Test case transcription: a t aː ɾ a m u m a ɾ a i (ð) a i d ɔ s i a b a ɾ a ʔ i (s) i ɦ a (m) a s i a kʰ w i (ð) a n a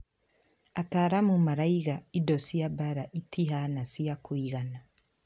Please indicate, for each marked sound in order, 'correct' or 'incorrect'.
incorrect, incorrect, incorrect, incorrect

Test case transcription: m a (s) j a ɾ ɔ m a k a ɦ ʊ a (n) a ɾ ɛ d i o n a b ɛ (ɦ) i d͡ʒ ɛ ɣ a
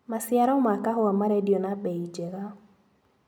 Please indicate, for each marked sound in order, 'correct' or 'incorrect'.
correct, incorrect, incorrect

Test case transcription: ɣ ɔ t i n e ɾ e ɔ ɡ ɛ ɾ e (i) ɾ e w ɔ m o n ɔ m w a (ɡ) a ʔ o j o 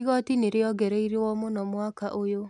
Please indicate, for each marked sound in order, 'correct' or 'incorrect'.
correct, incorrect

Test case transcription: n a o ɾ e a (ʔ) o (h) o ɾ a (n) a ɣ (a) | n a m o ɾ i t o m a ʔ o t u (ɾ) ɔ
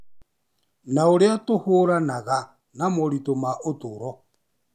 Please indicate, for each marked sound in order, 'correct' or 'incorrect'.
incorrect, correct, correct, correct, correct

